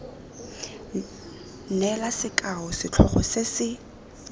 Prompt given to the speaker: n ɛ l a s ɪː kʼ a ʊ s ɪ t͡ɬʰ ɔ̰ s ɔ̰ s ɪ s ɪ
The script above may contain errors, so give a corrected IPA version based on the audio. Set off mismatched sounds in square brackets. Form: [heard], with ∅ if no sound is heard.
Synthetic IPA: n ɛ l a s [ɪ] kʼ a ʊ s ɪ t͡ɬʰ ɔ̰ [χ] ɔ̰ s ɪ s ɪ

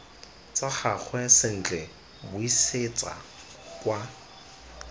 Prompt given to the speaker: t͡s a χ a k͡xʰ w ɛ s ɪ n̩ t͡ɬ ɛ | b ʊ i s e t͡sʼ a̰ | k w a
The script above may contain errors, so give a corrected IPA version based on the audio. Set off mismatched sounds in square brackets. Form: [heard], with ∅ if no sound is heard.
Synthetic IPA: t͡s a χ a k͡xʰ w ɛ s ɪ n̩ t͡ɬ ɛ | b ʊ i s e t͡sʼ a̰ | k w a

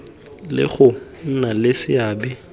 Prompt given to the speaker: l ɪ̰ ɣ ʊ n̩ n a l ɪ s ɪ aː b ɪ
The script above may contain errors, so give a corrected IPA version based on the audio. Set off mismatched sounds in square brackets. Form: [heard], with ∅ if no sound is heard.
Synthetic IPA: l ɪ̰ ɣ ʊ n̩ n a l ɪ s ɪ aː b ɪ

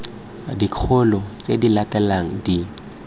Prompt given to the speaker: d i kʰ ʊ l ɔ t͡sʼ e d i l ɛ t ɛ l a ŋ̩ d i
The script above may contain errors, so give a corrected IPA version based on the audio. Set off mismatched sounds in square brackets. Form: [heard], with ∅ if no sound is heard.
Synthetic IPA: d i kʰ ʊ l ɔ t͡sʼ e d i l [a] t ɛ l a ŋ̩ d i

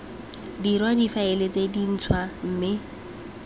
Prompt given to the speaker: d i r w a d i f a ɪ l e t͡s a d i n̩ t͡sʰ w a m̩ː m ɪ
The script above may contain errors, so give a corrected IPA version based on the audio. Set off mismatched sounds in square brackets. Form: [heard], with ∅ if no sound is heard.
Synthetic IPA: d i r w a d i f a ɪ l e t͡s [e] d i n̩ t͡sʰ w a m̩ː m ɪ

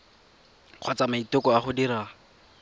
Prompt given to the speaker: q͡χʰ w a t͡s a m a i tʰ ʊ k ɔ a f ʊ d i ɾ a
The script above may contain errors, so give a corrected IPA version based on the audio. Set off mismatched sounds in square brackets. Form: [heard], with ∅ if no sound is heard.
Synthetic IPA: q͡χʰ w a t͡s a m a i [t] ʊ k ɔ a [χ] ʊ d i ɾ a

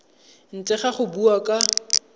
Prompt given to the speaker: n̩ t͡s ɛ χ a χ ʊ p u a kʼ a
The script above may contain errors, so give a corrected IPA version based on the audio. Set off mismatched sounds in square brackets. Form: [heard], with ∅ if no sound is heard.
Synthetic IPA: n̩ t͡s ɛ χ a χ ʊ [b] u a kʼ a

